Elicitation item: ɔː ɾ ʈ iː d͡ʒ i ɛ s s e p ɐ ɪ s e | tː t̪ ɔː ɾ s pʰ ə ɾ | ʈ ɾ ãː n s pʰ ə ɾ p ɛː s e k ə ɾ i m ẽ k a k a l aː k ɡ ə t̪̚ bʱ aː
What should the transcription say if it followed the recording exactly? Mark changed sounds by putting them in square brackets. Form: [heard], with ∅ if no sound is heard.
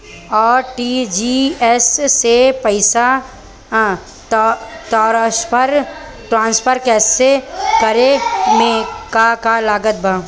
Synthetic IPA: ɔː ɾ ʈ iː d͡ʒ i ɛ s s e p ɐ ɪ s [a] | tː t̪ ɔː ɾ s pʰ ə ɾ | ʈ ɾ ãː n s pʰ ə ɾ [k] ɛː s e k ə ɾ [e] m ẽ k a k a l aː [∅] ɡ ə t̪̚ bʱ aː

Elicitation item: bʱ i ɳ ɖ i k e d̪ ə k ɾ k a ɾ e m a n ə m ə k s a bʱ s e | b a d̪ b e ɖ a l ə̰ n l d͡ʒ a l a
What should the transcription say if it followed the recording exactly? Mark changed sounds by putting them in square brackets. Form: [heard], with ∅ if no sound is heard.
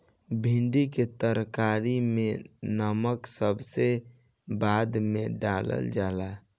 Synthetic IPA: bʱ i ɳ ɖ i k e [t̪] ə [∅] ɾ k a ɾ [i] m [e] n ə m ə k s [ə] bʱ s e | b a d̪ [m] e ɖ a l ə̰ [∅] l d͡ʒ a l a

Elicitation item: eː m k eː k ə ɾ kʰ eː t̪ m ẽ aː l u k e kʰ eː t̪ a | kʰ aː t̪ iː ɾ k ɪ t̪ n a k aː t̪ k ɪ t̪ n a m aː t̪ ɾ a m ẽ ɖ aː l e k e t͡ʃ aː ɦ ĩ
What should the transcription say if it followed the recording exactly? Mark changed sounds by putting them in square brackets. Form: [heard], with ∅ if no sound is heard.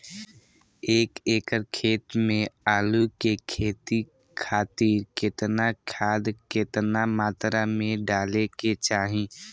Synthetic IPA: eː [∅] k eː k ə ɾ kʰ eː t̪ m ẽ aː l u k e kʰ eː t̪ [i] | kʰ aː t̪ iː ɾ k ɪ t̪ n a [kʰ] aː [d̪] k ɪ t̪ n a m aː t̪ ɾ a m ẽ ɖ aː l e k e t͡ʃ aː ɦ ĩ

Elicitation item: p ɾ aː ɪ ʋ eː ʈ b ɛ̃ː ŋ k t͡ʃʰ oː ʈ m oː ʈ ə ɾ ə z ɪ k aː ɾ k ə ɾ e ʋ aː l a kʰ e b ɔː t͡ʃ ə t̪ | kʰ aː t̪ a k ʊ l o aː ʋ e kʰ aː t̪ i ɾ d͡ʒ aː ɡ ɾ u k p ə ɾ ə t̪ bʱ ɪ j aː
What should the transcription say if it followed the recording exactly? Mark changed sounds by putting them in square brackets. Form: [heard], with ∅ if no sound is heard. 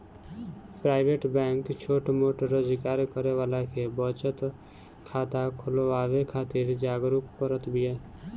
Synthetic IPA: p ɾ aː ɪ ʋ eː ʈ b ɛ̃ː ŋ k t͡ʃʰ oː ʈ m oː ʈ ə ɾ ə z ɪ k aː ɾ k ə ɾ e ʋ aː l a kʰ e b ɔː t͡ʃ ə t̪ | kʰ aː t̪ a [kʰ] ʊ l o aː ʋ e kʰ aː t̪ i ɾ d͡ʒ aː ɡ ɾ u k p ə ɾ ə t̪ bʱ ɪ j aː

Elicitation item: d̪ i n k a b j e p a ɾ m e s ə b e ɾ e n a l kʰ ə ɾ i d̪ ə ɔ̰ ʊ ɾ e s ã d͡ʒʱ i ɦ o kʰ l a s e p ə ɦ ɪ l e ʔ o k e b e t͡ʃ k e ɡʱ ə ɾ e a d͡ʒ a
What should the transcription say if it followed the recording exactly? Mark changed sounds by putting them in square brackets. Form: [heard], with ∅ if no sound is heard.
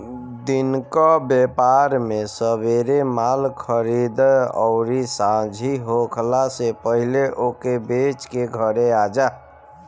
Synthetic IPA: d̪ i n k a b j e p a ɾ m e s ə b e ɾ e [m] a l kʰ ə ɾ i d̪ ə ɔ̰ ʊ ɾ [i] s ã d͡ʒʱ i ɦ o kʰ l a s e p ə ɦ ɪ l e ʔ o k e b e t͡ʃ k e ɡʱ ə ɾ e a d͡ʒ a

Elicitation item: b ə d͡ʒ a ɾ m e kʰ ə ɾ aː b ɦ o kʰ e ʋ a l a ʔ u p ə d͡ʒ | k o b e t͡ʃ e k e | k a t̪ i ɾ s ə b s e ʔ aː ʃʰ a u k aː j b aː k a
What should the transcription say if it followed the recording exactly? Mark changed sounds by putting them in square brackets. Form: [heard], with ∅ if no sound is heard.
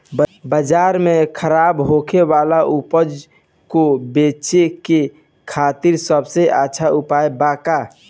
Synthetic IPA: b ə d͡ʒ a ɾ m e kʰ ə ɾ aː b ɦ o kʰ e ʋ a l a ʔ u p ə d͡ʒ | k o b e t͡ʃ e k e | [kʰ] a t̪ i ɾ s ə b s e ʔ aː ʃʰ a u [p] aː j b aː k a

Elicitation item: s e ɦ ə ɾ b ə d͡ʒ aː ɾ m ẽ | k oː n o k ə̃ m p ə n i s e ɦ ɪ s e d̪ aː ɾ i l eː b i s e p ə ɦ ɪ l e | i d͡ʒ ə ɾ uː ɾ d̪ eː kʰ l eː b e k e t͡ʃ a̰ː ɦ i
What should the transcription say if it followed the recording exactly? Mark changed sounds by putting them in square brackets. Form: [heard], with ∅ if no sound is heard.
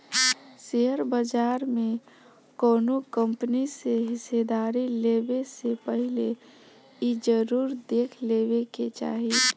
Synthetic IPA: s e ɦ ə ɾ b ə d͡ʒ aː ɾ m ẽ | k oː n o k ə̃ m p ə n i s e ɦ ɪ s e d̪ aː ɾ i l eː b [e] s e p ə ɦ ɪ l e | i d͡ʒ ə ɾ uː ɾ d̪ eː kʰ l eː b e k e t͡ʃ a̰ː ɦ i

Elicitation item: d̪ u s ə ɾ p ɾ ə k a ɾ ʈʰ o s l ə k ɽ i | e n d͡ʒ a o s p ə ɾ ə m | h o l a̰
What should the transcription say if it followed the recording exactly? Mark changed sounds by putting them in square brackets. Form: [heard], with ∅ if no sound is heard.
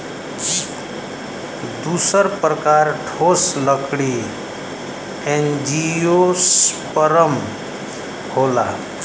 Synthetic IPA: d̪ u s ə ɾ p ɾ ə k a ɾ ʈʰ o s l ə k ɽ i | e n d͡ʒ [i] o s p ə ɾ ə m | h o l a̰

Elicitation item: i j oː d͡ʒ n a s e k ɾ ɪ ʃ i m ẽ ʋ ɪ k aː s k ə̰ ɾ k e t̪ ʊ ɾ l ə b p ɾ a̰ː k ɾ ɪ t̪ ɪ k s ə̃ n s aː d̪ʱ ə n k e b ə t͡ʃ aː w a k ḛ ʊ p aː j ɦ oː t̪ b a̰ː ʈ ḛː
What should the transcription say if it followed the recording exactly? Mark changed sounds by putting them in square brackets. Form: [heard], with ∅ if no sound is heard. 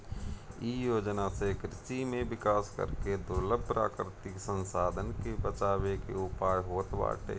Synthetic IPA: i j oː d͡ʒ n a s e k ɾ ɪ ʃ i m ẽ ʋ ɪ k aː s k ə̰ ɾ k e [d̪] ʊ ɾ l ə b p ɾ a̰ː k ɾ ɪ t̪ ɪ k s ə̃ n s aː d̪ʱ ə n k e b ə t͡ʃ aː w [e] k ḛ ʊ p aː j ɦ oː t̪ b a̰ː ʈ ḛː

